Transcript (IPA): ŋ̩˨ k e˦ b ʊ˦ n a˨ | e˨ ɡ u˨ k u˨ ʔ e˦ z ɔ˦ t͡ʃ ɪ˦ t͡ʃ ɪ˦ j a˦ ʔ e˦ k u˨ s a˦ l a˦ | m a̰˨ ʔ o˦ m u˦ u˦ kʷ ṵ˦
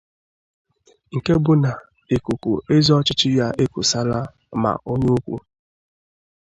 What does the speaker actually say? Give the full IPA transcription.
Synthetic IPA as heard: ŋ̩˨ k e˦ b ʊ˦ n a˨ | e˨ k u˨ k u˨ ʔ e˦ z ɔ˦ t͡ʃ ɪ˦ t͡ʃ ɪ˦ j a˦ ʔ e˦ k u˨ s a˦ l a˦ | m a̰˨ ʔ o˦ ɲ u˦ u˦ kʷ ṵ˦

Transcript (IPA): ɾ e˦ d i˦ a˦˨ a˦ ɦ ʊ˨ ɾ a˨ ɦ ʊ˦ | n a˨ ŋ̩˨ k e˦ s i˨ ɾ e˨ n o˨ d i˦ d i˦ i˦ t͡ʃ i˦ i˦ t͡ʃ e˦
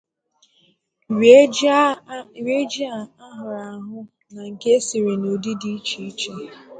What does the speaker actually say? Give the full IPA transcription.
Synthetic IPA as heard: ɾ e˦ d͡ʒ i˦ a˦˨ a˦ ɦ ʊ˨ ɾ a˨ ɦ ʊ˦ | n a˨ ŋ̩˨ k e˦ s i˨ ɾ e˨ n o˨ d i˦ d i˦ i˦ t͡ʃ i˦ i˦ t͡ʃ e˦

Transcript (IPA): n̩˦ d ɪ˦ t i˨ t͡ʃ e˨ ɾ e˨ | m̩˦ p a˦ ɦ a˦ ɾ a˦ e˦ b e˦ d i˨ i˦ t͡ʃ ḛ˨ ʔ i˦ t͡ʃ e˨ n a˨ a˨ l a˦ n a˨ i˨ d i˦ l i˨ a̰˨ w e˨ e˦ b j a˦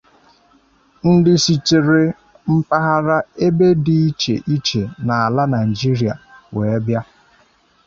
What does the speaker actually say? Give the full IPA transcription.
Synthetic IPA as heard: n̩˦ d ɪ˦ s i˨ t͡ʃ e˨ ɾ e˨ | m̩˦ p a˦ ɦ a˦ ɾ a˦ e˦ b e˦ d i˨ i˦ t͡ʃ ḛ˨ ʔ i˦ t͡ʃ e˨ n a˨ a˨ l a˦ n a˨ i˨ d͡ʒ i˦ ɾ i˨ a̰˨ w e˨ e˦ b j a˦

